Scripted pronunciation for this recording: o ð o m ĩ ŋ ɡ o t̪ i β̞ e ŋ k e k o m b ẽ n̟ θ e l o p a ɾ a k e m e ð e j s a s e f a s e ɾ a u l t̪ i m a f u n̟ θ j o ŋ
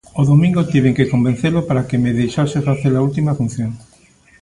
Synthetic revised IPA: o ð o m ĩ ŋ ɡ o t̪ i β̞ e ŋ k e k o m b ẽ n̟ θ e l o p a ɾ a k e m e ð e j ʃ a s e f a θ e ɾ a u l t̪ i m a f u n̟ θ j o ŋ